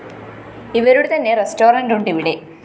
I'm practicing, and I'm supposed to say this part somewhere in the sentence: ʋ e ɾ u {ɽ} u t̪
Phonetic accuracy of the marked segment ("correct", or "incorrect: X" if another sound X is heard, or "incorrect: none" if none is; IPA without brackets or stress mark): correct